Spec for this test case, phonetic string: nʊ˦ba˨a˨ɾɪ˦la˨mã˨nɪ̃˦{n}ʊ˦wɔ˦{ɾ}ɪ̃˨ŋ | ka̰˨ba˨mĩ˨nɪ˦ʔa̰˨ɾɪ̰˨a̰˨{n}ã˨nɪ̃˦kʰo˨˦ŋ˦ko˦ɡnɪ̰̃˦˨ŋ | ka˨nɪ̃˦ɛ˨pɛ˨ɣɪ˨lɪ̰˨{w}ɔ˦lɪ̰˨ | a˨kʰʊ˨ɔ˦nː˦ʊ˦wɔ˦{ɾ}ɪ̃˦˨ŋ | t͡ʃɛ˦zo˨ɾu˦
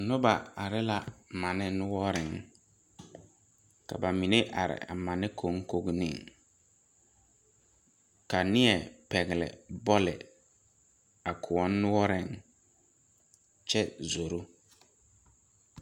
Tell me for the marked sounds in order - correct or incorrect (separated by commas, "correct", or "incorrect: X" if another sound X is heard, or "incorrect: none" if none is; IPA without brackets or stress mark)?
correct, correct, incorrect: m, incorrect: b, correct